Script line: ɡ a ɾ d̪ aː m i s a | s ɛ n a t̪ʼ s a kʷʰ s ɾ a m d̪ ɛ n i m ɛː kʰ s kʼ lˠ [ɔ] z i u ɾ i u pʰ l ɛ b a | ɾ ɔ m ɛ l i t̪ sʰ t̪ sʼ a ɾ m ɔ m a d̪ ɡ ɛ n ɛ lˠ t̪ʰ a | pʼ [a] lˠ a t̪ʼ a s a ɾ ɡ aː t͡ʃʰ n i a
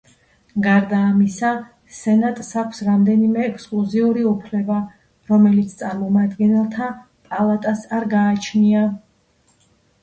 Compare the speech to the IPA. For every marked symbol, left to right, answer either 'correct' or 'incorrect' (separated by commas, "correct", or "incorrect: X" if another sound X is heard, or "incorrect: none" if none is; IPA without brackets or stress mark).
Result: incorrect: u, correct